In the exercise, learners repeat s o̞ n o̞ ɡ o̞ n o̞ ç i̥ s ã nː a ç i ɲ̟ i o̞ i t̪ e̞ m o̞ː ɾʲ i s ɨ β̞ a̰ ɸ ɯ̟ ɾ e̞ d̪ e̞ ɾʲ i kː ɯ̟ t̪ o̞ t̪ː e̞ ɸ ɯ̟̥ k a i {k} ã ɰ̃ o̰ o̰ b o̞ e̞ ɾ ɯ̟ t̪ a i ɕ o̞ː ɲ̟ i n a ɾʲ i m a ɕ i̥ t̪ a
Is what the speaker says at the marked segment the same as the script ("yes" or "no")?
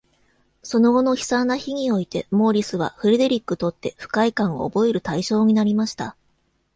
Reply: yes